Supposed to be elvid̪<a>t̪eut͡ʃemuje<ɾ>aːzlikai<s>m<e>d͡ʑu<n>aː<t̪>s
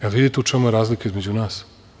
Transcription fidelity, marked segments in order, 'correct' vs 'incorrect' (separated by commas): incorrect, correct, incorrect, correct, correct, incorrect